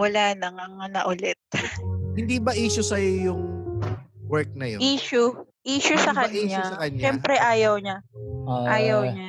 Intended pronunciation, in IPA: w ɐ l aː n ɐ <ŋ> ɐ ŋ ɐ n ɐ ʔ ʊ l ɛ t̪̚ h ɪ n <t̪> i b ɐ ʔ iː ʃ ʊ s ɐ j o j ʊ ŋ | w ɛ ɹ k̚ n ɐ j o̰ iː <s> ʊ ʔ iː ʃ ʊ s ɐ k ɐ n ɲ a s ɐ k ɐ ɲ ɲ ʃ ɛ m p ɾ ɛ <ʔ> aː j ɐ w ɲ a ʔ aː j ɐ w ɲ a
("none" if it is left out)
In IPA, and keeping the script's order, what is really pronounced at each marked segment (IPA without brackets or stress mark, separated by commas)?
ŋ, d̪, ʃ, ʔ